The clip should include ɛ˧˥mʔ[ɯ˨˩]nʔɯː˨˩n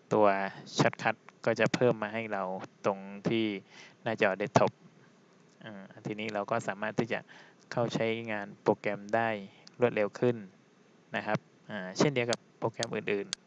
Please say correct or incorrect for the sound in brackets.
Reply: incorrect